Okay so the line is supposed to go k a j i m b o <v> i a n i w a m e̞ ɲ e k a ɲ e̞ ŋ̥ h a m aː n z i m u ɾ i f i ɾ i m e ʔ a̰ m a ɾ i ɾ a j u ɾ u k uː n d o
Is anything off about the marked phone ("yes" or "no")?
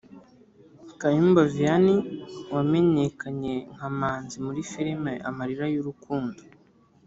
no